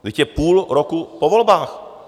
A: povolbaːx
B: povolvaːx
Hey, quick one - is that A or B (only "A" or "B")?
A